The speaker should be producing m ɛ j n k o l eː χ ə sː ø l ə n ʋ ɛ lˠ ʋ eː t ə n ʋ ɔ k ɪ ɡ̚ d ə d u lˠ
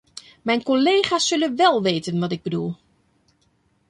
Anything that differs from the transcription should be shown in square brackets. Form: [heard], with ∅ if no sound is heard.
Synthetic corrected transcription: m ɛ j n k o l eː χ [a] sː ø l ə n ʋ ɛ lˠ ʋ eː t ə n ʋ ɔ [t] ɪ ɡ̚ [b] ə d u lˠ

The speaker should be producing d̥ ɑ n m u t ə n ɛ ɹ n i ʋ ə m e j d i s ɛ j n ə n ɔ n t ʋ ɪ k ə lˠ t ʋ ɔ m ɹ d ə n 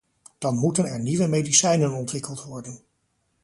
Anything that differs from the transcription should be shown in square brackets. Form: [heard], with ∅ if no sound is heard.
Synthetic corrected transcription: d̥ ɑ n m u t ə n ɛ ɹ n i ʋ ə m e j d i s ɛ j n ə n ɔ n t ʋ ɪ k ə lˠ t ʋ ɔ [∅] ɹ d ə n

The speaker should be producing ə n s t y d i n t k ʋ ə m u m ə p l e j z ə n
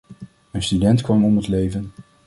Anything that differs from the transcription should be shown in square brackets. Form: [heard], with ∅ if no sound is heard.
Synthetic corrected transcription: ə n s t y d [ɛ] n t k ʋ [ɑ] m [ɔ] m ə [t] l e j [v] ə n

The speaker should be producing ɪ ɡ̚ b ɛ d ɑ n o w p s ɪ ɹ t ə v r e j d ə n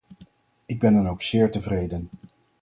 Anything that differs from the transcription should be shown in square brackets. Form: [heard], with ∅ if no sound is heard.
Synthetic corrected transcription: ɪ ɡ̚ b ɛ [n] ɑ n o w [k] s [ɪː] ɹ t ə v r e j d ə n

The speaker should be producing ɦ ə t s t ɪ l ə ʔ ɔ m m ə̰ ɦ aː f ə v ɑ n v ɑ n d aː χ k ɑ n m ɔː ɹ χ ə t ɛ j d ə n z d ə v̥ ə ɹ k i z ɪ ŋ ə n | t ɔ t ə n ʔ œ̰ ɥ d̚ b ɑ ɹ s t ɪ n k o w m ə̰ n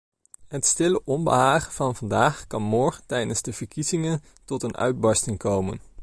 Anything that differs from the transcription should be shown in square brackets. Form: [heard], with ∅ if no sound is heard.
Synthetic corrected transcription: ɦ ə t s t ɪ l ə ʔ ɔ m [b] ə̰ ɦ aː [χ] ə v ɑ n v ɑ n d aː χ k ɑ n m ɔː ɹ χ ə t ɛ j d ə n z d ə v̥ ə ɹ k i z ɪ ŋ ə n | t ɔ t ə n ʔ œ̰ ɥ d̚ b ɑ ɹ s t ɪ [ŋ] k o w m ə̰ n

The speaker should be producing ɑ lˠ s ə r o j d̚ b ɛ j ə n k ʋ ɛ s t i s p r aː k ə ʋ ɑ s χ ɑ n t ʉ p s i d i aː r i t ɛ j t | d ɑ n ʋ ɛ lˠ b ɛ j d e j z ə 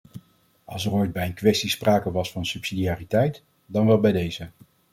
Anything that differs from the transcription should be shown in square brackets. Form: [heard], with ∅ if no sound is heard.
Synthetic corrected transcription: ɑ lˠ s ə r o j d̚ b ɛ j ə n k ʋ ɛ s t i s p r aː k ə ʋ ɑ s [f] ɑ n [s] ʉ p s i d i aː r i t ɛ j t | d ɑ n ʋ ɛ lˠ b ɛ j d e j z ə

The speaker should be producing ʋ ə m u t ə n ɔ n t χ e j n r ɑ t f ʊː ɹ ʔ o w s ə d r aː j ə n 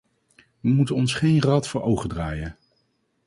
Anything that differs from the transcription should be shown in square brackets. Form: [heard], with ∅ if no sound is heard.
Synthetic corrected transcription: ʋ ə m u t ə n ɔ n [s] χ e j n r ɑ t f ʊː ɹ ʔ o w [χ] ə d r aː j ə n

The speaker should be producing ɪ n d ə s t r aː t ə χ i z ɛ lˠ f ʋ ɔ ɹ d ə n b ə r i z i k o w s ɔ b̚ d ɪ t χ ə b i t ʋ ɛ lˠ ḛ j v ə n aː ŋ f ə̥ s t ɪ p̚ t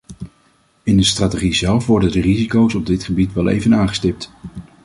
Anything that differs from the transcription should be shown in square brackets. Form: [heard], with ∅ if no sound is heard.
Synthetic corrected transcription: ɪ n d ə s t r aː t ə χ i z ɛ lˠ f ʋ ɔ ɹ d ə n [d] ə r i z i k o w s ɔ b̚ d ɪ t χ ə b i t ʋ ɛ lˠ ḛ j v ə n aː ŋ [χ] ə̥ s t ɪ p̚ t

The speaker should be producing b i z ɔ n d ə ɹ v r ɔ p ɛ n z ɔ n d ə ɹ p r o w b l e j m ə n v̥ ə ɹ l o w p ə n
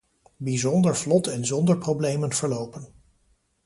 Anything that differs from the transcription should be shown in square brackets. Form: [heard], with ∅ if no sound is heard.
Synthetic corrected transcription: b i z ɔ n d ə ɹ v [l] ɔ [t] ɛ n z ɔ n d ə ɹ p r o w b l e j m ə n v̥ ə ɹ l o w p ə n

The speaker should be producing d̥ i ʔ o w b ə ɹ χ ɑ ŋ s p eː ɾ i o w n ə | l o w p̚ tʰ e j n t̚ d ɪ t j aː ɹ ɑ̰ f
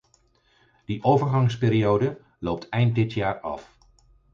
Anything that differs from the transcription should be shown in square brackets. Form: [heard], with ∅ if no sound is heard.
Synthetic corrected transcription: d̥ i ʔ o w [v] ə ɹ χ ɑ ŋ s p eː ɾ i o w [d] ə | l o w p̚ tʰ [ɛ] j n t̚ d ɪ t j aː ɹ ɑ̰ f

